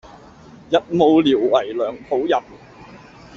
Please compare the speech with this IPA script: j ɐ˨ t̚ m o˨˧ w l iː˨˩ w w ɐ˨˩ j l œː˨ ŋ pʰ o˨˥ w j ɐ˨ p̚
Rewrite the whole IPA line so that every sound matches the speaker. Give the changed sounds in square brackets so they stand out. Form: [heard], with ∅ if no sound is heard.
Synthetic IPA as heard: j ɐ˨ t̚ m o˨˧ w l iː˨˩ w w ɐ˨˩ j l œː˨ ŋ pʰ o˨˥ w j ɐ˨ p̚